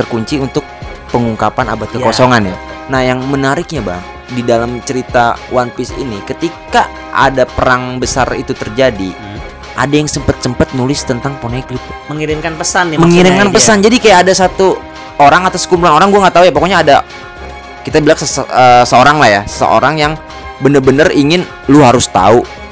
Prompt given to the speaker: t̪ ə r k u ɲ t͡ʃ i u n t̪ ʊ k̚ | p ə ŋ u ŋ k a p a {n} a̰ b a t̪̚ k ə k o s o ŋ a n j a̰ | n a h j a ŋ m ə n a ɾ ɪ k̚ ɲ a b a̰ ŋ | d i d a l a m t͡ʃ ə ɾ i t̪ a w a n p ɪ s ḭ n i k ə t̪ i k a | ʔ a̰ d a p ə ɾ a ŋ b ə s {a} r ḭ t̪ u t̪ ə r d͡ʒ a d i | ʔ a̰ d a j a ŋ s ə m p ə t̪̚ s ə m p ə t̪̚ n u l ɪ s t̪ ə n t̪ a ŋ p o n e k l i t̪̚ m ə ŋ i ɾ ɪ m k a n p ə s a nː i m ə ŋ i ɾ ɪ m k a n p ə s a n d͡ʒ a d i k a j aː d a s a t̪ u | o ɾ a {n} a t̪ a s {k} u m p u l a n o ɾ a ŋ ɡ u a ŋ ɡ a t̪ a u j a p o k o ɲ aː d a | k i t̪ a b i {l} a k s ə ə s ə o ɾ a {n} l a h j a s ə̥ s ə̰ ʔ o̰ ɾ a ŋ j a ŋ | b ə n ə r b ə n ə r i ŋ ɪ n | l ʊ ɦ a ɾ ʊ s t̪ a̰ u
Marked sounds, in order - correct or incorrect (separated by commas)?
correct, correct, incorrect, correct, correct, incorrect